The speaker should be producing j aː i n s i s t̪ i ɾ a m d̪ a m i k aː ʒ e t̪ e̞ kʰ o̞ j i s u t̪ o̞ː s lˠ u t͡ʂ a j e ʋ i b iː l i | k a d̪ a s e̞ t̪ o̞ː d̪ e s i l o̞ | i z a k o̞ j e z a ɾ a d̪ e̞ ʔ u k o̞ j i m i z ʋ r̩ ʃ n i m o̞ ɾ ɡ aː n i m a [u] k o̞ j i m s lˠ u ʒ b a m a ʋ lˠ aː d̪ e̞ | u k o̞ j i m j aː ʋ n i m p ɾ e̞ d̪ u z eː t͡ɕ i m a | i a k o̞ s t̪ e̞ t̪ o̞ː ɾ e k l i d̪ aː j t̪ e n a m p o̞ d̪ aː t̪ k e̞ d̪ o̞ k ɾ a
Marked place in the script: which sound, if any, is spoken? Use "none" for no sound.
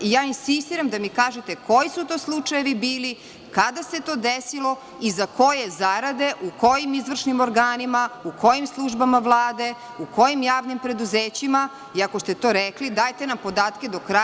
u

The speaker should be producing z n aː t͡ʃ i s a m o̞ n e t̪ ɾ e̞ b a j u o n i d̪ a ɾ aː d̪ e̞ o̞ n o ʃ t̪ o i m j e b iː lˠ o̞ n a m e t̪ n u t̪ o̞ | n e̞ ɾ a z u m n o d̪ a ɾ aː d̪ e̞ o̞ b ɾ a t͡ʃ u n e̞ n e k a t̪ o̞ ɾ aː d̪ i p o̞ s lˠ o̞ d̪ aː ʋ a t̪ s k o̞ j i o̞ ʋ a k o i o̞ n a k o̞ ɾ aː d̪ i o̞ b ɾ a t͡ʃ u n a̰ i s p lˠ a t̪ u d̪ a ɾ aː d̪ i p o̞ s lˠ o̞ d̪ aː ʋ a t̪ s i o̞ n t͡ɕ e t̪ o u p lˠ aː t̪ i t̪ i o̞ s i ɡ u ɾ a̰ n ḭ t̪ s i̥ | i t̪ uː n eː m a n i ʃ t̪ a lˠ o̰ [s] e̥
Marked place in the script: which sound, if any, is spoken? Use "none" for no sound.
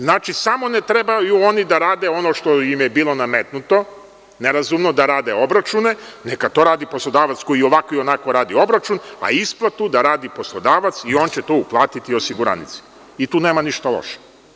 ʃ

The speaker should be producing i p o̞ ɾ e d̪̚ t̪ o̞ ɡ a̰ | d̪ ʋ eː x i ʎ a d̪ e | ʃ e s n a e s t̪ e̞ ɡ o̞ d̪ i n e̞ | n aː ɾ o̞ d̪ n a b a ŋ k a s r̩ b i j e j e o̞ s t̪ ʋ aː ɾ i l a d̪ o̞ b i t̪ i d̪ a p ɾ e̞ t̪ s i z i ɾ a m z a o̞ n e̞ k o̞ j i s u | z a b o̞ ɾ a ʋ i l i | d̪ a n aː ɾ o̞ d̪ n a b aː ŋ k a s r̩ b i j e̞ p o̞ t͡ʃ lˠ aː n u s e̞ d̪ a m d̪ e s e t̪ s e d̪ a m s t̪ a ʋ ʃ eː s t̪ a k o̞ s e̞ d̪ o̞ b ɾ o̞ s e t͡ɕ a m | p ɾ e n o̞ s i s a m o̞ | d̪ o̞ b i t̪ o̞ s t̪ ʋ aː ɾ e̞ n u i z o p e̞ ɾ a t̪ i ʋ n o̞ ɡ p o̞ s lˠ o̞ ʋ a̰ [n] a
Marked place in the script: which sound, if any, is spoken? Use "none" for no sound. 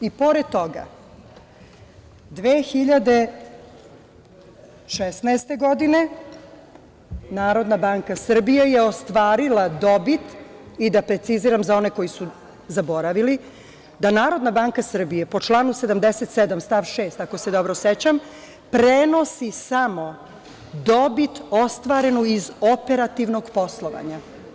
ɲ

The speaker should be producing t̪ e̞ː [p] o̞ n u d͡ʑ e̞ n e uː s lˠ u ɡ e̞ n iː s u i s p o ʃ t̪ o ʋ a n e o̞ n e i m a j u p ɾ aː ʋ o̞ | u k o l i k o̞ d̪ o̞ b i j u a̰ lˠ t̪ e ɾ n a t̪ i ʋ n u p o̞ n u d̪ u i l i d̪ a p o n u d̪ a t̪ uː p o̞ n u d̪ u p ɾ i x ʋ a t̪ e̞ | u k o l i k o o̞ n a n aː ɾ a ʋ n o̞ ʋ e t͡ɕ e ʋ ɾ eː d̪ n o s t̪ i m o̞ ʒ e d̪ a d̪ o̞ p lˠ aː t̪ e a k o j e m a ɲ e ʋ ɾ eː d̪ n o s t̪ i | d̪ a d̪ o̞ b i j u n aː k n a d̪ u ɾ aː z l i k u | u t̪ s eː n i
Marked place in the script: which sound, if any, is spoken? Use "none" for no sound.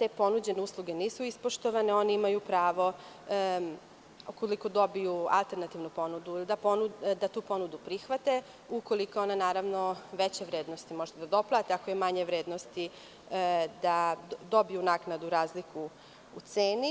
p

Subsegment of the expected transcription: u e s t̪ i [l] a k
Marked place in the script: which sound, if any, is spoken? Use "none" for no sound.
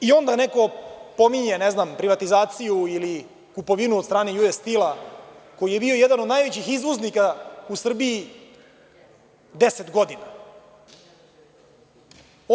l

